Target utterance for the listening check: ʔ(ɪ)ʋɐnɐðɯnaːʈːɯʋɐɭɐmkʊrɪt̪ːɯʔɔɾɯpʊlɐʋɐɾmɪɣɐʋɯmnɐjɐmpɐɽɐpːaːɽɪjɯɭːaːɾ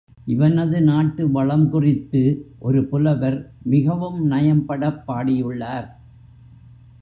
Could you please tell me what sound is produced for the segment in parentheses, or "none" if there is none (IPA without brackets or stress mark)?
ɪ